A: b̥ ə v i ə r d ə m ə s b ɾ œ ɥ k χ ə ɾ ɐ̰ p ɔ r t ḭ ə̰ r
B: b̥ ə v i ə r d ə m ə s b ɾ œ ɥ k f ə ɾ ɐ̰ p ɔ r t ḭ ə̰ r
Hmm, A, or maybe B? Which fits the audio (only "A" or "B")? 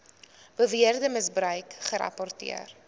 A